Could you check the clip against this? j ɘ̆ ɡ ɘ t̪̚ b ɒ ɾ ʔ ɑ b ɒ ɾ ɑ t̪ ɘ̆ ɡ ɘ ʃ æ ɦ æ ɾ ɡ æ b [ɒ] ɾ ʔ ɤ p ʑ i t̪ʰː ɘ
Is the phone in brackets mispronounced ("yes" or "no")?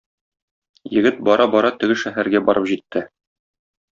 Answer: no